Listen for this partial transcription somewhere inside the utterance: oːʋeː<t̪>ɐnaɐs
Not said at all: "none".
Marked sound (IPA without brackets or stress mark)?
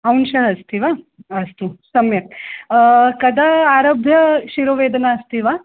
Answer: d̪